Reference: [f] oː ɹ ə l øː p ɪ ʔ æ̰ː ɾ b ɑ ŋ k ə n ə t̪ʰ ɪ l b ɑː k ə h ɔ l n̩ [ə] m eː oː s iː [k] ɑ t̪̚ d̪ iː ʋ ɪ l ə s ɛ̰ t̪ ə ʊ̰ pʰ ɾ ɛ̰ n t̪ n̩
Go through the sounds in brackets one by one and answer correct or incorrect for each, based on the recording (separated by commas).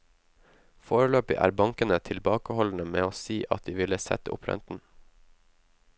correct, correct, incorrect